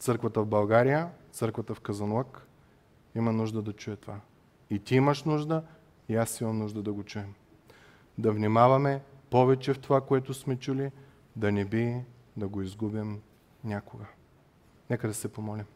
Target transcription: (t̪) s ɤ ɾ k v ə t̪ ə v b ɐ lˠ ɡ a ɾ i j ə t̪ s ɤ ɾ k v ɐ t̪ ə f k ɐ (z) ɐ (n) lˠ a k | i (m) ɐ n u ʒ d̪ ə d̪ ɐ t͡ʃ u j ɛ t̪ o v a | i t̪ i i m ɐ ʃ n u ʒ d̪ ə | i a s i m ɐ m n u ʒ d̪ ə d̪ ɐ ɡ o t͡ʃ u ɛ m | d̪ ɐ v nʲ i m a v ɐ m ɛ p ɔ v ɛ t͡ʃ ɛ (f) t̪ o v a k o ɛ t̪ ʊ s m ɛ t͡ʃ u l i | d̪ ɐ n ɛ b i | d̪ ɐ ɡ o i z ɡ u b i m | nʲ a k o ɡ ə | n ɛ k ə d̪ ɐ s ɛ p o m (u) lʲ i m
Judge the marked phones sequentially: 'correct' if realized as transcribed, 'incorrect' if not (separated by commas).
correct, correct, correct, correct, correct, incorrect